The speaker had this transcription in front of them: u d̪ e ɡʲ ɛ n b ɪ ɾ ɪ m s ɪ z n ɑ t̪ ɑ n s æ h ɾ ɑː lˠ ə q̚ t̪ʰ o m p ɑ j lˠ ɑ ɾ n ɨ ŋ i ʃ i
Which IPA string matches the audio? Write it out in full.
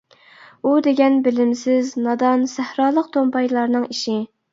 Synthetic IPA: u d̪ e ɡʲ ɛ n b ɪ l ɪ m s ɪ z n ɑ d̪ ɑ n s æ h ɾ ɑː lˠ ə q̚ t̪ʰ o m p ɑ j lˠ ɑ ɾ n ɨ ŋ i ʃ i